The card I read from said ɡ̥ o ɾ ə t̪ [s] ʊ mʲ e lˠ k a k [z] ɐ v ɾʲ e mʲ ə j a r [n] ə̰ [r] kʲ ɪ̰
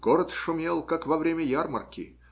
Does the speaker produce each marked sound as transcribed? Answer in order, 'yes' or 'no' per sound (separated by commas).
no, no, no, yes